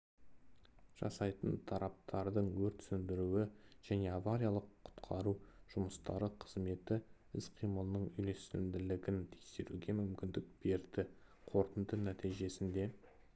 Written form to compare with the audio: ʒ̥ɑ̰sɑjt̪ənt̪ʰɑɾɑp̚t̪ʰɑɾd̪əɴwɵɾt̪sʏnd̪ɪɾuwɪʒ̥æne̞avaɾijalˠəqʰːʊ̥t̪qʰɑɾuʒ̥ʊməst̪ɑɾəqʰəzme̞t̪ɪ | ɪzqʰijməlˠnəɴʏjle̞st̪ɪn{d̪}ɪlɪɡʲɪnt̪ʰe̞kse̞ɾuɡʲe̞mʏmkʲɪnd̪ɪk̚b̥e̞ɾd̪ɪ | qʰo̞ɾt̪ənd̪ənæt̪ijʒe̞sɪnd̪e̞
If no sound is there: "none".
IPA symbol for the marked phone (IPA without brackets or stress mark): d̪